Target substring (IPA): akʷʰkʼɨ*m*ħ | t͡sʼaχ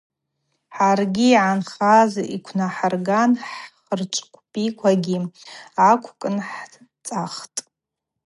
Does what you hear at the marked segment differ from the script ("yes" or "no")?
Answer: yes